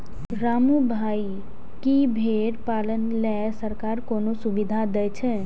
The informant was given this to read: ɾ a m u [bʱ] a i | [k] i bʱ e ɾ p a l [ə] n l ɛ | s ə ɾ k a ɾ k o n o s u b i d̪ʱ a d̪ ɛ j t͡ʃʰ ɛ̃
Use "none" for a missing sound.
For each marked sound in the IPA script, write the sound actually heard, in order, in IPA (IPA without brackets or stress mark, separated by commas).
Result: bʱ, k, ə